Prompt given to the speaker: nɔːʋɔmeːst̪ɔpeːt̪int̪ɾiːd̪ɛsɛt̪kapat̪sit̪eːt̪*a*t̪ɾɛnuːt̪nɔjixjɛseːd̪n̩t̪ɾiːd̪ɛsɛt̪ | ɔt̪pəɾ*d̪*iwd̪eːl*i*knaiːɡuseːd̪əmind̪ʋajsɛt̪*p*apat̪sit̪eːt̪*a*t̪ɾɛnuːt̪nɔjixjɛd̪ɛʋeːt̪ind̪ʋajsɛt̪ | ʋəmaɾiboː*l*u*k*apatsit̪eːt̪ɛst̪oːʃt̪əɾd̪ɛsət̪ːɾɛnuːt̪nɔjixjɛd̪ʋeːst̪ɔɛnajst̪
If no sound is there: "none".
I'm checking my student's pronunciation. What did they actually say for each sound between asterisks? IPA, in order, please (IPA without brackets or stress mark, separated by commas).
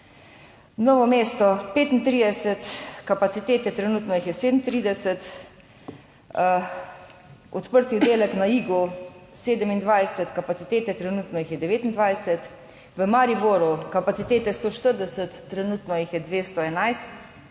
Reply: ɛ, t̪, ɛ, k, ɛ, ɾ, k